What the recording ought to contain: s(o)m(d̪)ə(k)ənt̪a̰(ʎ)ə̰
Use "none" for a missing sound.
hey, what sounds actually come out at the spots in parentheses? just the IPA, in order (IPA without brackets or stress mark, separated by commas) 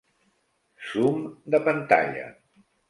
u, d̪, p, ʎ